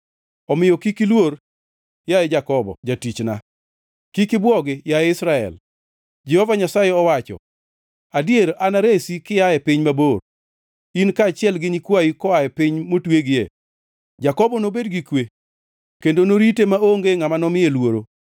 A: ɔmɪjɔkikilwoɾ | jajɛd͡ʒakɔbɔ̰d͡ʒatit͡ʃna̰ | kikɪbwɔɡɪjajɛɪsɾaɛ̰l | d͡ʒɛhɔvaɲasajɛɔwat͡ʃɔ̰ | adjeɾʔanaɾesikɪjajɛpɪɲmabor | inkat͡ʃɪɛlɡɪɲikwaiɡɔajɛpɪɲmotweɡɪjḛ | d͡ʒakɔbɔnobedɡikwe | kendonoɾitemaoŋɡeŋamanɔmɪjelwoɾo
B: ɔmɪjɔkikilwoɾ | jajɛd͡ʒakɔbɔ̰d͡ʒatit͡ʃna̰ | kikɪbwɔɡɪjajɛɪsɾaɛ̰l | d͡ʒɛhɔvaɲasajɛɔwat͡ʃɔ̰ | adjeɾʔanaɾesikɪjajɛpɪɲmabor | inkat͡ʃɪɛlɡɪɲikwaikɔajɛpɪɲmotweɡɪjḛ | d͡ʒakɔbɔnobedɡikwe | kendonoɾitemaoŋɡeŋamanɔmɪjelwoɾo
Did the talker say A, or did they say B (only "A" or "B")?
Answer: B